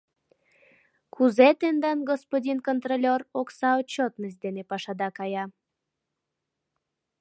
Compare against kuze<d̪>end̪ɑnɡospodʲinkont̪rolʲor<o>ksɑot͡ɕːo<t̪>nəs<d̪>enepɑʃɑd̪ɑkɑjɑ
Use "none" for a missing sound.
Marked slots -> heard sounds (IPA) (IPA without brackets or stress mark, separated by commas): t̪, o, t̪, d̪